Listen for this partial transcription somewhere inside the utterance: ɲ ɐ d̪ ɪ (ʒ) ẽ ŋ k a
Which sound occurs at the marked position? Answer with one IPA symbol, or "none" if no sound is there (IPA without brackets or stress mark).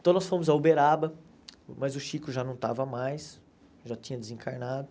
z